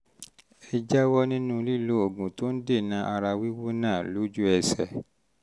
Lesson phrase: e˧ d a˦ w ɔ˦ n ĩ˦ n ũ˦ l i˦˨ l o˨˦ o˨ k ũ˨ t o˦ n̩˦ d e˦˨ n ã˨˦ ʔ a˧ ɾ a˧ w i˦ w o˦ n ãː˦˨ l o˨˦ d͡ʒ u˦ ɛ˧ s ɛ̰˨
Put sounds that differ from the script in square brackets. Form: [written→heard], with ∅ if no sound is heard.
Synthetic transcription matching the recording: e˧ [d→d͡ʒ] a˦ w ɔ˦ n ĩ˦ n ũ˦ l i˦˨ l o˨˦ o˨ [k→ɡ] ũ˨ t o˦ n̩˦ d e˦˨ n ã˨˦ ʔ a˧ ɾ a˧ w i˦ w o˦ n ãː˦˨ l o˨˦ d͡ʒ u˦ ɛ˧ s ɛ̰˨